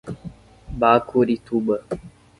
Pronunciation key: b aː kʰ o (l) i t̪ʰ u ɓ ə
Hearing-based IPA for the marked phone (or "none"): ɾ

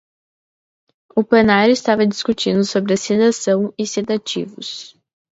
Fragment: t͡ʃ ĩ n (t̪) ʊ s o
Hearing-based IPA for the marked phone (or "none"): d̪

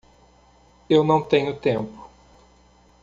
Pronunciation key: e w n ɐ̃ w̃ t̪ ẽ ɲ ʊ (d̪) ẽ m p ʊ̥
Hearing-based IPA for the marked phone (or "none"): t̪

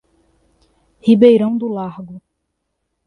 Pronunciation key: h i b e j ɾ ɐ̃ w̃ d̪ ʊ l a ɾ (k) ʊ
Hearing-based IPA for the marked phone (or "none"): ɡ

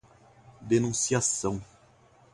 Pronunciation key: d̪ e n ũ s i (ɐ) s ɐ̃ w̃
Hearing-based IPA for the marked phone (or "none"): a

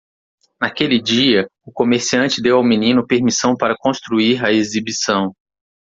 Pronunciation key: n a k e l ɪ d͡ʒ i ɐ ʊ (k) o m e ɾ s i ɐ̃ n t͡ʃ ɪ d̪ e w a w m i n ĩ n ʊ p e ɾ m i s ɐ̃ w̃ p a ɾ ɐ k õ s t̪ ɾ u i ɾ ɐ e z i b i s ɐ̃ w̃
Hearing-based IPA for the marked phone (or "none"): k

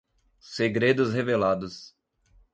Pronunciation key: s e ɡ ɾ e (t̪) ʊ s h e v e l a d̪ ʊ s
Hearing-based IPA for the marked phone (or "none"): d̪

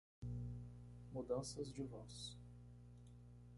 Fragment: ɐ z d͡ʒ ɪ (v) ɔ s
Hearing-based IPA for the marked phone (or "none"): v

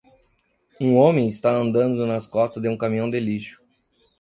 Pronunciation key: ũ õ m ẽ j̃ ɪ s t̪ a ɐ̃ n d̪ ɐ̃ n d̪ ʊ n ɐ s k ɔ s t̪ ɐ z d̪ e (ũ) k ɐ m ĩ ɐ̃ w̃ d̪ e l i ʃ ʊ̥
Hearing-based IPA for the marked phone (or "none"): ũ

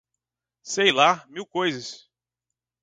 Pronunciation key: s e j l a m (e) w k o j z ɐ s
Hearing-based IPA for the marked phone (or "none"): i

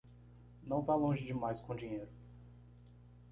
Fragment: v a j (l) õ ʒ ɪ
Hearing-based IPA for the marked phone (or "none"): l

